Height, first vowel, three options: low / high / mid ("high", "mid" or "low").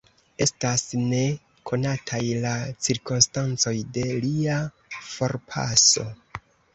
mid